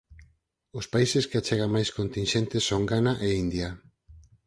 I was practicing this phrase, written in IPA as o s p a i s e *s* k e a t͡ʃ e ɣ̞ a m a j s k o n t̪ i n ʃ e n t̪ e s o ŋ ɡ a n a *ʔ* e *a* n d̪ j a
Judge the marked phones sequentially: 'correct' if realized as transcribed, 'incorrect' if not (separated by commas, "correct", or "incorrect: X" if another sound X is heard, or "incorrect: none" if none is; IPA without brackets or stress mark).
correct, correct, incorrect: i